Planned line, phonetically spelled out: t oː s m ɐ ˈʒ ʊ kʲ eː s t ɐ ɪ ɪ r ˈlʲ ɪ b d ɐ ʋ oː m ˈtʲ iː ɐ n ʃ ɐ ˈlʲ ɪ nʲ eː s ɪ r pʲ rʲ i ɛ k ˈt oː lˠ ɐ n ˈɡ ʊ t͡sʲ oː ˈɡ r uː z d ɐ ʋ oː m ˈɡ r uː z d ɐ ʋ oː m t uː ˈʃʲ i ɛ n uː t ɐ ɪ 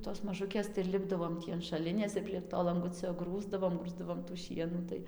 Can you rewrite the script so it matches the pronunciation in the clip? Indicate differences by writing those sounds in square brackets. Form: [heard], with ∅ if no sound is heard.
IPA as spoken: t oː s m ɐ ˈʒ ʊ kʲ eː s t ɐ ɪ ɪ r ˈlʲ ɪ b d ɐ ʋ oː m ˈtʲ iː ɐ n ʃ ɐ ˈlʲ ɪ nʲ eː s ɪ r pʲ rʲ i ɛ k ˈt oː lˠ ɐ [ŋ] ˈɡ ʊ t͡sʲ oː ˈɡ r uː z d ɐ ʋ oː m ˈɡ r uː z d ɐ ʋ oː m t uː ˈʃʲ i ɛ n uː t ɐ ɪ